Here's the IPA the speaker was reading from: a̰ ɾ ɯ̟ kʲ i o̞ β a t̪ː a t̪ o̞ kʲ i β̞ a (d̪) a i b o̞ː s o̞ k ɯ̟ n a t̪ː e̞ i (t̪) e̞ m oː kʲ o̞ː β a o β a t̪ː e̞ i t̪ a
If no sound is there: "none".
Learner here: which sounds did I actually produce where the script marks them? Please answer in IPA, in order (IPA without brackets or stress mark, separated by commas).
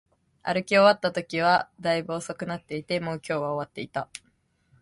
d̪, t̪